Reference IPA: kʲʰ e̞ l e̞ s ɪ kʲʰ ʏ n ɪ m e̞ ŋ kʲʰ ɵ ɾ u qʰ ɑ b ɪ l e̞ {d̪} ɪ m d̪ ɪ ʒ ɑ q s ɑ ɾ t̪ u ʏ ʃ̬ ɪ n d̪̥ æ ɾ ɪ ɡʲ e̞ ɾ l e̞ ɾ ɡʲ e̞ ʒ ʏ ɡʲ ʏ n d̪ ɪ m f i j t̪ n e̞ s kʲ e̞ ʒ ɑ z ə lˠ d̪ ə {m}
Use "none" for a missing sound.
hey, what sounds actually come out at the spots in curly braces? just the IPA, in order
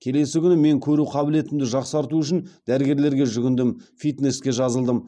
t̪, m

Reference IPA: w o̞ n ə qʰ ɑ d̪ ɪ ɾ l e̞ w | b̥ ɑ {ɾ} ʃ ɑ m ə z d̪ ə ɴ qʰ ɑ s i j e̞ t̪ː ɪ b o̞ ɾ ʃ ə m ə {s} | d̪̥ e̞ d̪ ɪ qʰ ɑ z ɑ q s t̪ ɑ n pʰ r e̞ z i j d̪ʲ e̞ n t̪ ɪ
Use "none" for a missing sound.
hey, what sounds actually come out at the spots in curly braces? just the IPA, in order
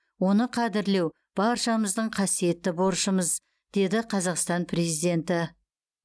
ɾ, z

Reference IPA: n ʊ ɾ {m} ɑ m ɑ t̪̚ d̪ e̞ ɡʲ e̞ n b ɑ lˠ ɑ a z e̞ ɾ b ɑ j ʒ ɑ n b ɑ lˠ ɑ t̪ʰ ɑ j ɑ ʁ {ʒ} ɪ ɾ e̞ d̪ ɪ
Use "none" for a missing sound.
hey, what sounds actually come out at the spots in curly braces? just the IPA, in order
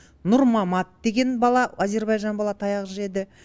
m, ʒ

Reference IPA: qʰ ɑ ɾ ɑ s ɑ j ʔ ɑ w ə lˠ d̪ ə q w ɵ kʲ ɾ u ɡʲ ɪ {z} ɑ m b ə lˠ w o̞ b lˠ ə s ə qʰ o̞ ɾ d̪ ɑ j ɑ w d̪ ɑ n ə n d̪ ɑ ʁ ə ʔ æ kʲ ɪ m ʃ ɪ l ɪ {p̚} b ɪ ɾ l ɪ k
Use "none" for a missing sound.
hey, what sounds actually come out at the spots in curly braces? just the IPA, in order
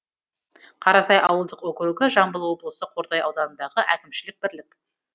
ʒ, k̚

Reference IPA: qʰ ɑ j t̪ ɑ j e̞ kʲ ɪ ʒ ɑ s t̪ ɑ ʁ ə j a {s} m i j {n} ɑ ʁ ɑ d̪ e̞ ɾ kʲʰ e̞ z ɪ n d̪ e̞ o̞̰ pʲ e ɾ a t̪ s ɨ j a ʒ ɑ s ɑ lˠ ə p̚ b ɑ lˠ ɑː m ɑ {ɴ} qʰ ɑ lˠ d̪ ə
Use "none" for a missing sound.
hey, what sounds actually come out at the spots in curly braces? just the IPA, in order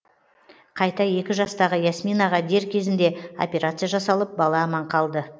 s, n, ɴ

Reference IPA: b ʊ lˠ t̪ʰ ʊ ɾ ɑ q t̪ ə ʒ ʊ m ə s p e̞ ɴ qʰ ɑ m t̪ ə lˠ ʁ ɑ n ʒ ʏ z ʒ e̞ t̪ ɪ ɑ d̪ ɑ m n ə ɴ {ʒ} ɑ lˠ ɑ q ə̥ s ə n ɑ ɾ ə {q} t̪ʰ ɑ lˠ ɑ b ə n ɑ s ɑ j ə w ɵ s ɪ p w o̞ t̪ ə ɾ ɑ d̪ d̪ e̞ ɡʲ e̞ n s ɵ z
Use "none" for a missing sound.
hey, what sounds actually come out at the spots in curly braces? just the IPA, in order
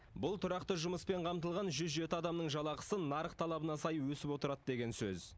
ʒ, q

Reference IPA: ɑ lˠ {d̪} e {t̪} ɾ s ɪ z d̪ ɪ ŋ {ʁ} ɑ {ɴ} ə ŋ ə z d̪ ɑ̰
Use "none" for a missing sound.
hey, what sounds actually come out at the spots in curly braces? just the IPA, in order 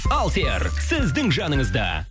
t̪, none, ʒ, n

